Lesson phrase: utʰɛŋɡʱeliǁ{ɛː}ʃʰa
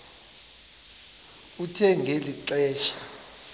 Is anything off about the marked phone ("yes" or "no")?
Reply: no